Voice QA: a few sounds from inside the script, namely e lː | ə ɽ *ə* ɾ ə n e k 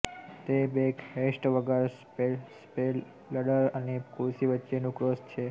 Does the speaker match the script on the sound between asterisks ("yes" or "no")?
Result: yes